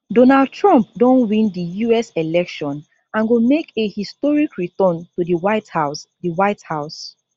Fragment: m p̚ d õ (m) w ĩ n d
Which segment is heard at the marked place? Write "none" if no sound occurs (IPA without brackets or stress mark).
n